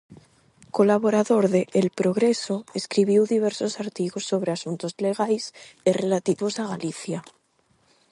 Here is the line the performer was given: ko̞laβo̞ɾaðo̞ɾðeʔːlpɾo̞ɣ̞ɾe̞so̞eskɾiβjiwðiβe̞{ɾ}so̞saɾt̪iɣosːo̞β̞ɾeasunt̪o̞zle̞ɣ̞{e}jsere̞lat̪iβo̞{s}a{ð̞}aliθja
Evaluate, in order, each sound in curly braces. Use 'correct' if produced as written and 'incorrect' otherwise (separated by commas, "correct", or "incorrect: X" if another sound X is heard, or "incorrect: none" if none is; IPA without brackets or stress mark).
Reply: correct, incorrect: a, correct, incorrect: ɣ̞